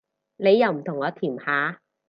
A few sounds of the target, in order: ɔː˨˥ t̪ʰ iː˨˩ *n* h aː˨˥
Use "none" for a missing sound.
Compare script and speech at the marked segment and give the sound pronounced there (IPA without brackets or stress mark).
m